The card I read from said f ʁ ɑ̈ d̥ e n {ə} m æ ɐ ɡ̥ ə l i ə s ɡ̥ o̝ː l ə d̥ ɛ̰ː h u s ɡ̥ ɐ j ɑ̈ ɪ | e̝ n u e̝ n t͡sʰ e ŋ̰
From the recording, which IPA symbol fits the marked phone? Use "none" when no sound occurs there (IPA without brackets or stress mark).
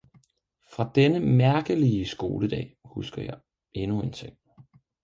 ə